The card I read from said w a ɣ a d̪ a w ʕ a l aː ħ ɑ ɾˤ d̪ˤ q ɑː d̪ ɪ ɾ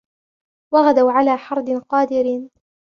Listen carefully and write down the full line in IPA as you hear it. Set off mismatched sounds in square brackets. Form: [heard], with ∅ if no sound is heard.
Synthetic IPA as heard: w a ɣ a d̪ a w ʕ a l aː ħ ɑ ɾˤ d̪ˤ q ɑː d̪ ɪ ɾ